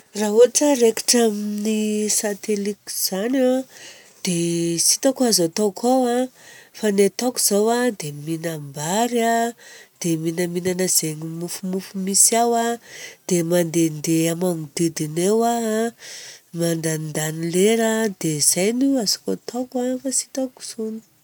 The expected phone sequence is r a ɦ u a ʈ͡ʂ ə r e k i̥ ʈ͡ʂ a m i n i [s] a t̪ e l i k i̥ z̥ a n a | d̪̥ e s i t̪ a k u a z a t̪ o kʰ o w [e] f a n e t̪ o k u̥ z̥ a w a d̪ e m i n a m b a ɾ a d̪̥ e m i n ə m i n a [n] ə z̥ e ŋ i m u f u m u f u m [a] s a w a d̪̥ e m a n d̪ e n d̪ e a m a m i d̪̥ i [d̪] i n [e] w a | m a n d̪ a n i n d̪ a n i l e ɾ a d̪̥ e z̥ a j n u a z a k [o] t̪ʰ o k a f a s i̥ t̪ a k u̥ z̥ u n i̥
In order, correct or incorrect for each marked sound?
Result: correct, incorrect, correct, incorrect, correct, correct, correct

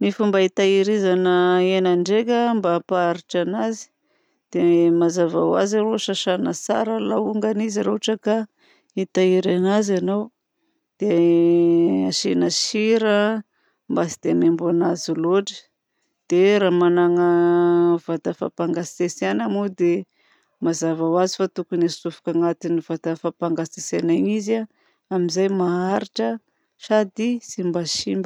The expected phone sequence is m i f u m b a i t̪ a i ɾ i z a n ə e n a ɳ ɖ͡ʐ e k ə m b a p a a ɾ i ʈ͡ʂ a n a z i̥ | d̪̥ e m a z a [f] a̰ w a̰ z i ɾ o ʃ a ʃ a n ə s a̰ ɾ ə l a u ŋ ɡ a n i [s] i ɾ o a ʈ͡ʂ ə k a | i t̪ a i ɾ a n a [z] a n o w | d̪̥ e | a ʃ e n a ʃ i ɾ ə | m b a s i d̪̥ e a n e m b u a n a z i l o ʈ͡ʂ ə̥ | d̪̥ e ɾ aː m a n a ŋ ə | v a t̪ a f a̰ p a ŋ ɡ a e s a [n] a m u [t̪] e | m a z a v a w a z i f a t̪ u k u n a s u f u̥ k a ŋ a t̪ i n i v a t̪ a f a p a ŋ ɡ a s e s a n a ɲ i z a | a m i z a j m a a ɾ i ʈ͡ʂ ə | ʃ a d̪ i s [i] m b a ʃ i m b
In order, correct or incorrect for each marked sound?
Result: incorrect, incorrect, correct, correct, incorrect, correct

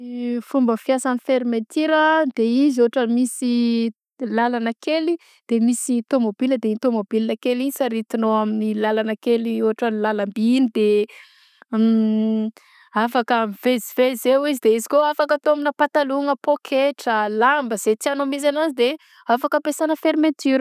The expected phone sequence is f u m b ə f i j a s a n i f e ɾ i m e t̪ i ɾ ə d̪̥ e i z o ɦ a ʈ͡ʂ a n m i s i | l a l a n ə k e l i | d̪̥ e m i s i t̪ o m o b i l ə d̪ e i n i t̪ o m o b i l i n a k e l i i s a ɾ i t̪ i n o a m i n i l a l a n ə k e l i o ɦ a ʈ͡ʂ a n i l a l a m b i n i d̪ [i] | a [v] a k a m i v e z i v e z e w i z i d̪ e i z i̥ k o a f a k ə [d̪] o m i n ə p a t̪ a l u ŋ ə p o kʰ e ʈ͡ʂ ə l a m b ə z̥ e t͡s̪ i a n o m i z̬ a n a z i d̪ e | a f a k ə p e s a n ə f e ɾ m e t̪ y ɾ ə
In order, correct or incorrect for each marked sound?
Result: incorrect, incorrect, incorrect

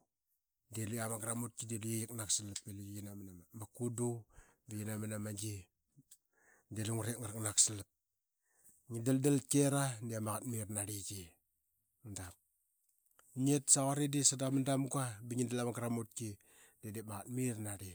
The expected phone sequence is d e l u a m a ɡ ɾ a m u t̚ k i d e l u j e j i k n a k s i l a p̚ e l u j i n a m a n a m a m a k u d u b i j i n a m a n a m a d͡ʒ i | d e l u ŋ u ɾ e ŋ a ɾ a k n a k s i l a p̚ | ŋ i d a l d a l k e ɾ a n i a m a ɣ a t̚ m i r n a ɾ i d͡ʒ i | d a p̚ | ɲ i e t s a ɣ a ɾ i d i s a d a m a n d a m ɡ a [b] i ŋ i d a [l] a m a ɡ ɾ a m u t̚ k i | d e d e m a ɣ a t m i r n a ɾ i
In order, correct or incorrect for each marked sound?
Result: correct, correct

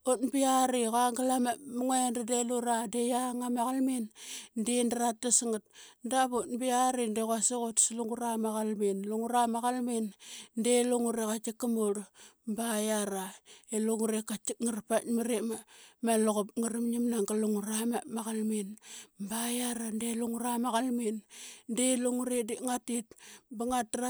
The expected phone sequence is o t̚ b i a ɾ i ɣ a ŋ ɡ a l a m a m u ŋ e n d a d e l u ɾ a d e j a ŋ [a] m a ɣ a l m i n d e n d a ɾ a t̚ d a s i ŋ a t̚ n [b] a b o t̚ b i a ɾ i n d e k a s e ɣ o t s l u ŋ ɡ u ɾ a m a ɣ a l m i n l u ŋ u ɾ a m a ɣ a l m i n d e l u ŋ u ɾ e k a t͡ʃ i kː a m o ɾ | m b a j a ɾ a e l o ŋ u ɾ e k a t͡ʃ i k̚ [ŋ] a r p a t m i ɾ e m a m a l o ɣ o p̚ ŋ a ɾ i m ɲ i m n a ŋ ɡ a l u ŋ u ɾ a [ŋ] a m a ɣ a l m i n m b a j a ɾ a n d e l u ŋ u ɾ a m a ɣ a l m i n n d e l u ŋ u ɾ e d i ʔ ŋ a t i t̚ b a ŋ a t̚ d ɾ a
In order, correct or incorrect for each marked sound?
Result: correct, incorrect, correct, incorrect

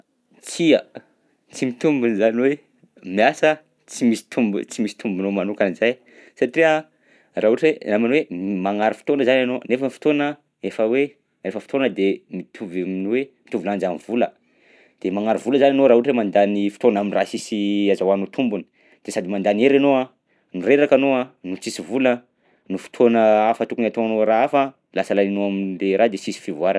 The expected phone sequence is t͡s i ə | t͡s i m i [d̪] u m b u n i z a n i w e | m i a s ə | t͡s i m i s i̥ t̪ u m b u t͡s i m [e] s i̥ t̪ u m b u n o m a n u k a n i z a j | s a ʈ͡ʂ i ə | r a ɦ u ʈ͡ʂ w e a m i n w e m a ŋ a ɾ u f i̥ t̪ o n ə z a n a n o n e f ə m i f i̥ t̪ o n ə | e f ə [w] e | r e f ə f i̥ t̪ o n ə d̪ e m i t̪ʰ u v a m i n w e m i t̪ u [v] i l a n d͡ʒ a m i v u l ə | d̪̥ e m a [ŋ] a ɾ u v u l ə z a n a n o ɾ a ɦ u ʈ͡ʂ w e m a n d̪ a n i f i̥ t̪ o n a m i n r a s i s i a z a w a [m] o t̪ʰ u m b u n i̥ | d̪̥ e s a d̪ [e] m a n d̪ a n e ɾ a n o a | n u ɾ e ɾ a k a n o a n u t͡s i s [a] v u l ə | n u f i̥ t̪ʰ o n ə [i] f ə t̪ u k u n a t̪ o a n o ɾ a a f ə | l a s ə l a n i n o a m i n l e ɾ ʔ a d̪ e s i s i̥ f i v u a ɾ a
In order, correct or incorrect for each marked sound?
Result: incorrect, incorrect, correct, correct, correct, incorrect, incorrect, incorrect, incorrect

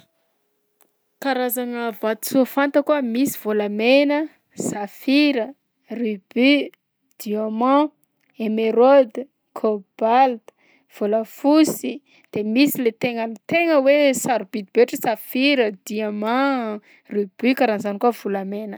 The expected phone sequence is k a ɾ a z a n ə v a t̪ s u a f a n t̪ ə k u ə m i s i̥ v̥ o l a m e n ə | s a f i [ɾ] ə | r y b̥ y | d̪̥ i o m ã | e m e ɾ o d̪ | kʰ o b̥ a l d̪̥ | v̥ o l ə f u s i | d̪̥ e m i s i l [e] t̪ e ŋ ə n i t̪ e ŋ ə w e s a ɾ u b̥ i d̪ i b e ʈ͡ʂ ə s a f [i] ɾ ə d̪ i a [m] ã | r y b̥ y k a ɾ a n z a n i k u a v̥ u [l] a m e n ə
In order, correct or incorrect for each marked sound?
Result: correct, correct, correct, correct, correct

